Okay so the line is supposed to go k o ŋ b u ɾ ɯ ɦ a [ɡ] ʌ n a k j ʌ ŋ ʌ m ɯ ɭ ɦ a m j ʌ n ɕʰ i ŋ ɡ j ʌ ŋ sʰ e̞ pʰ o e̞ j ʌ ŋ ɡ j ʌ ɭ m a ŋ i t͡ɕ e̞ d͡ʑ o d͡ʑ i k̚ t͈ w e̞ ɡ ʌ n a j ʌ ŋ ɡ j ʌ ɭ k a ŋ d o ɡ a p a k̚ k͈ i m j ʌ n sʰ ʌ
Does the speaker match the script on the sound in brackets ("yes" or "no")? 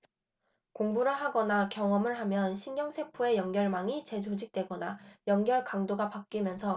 yes